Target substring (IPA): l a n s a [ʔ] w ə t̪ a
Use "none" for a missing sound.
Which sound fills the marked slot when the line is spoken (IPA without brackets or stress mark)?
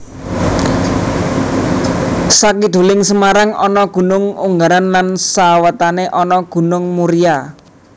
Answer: none